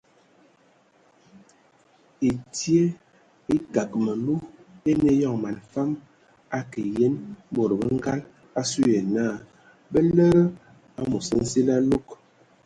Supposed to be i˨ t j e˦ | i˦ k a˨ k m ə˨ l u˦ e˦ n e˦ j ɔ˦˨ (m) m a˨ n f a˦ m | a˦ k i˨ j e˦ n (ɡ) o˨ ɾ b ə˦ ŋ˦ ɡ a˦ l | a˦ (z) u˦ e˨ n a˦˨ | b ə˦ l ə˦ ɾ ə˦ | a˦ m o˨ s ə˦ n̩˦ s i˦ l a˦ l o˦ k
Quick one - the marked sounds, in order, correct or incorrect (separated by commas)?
incorrect, incorrect, incorrect